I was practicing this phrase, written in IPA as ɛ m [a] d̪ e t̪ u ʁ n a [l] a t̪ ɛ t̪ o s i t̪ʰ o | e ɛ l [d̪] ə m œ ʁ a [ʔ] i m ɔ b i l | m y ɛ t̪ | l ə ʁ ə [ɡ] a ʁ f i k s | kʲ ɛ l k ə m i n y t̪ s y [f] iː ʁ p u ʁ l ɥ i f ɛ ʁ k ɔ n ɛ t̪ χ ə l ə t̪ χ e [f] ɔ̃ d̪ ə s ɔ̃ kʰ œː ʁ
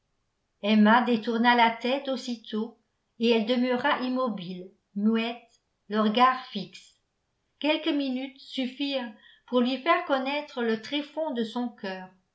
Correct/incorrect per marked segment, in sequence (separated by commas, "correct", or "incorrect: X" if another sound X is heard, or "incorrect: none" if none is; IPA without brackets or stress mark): correct, correct, correct, correct, correct, correct, correct